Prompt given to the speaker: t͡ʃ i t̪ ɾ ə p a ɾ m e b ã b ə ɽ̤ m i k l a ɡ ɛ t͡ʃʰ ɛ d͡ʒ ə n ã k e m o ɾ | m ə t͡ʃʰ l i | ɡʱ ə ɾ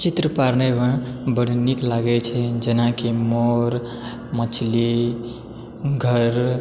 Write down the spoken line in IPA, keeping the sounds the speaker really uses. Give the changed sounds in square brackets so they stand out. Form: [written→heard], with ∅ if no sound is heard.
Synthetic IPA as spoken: t͡ʃ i t̪ ɾ ə p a ɾ [m→n] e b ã b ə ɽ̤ [m→n] i k l a ɡ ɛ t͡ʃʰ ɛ d͡ʒ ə n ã k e m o ɾ | m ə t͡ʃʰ l i | ɡʱ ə ɾ